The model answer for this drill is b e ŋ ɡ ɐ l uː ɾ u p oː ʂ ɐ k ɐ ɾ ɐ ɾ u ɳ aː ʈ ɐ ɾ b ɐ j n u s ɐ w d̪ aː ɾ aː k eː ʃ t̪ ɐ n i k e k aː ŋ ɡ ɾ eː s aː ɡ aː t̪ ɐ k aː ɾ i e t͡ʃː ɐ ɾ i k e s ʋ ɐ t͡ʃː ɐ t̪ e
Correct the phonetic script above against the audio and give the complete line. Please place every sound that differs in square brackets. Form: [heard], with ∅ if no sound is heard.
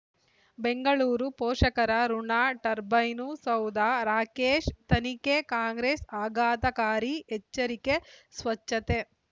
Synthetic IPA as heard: b e ŋ ɡ ɐ [ɭ] uː ɾ u p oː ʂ ɐ k ɐ ɾ ɐ ɾ u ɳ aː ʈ ɐ ɾ b ɐ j n u s ɐ w d̪ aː ɾ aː k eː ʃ t̪ ɐ n i k e k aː ŋ ɡ ɾ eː s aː ɡ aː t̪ ɐ k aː ɾ i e t͡ʃː ɐ ɾ i k e s ʋ ɐ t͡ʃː ɐ t̪ e